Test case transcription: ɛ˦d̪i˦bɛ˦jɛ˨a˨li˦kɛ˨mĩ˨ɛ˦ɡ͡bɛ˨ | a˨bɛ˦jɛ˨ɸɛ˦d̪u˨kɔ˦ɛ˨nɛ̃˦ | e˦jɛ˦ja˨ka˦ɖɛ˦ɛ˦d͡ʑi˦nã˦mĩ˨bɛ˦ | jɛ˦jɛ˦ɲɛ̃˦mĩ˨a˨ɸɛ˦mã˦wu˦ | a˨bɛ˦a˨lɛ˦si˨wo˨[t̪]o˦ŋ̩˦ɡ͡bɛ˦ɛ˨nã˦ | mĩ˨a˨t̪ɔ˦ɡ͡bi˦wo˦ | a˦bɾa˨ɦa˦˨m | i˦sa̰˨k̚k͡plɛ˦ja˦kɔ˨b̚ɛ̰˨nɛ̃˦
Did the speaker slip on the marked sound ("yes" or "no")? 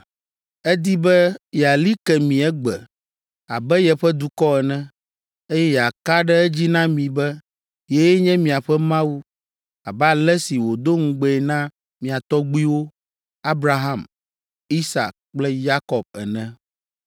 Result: yes